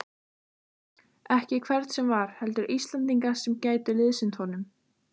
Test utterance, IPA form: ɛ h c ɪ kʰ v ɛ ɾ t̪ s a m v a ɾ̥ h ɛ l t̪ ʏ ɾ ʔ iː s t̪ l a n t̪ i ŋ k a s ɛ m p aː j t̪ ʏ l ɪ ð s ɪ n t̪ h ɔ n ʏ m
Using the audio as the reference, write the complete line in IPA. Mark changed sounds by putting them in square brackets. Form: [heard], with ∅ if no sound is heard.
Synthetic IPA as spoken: ɛ h c ɪ kʰ v ɛ ɾ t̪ s [ɛ] m v a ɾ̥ h ɛ l t̪ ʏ ɾ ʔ [i] s t̪ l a n t̪ i ŋ k a s ɛ m [c] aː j t̪ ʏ l ɪ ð s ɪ n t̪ h ɔ n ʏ m